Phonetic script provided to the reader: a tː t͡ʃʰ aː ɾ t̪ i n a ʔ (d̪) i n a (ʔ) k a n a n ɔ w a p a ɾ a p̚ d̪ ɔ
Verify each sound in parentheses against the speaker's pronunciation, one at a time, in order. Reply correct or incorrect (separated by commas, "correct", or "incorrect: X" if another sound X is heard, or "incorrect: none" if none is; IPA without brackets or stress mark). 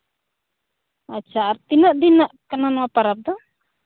correct, correct